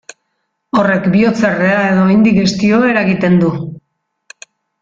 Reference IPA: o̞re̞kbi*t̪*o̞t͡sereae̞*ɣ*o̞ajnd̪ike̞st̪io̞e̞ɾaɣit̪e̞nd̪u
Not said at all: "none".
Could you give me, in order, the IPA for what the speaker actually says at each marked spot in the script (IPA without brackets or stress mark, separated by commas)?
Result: none, ð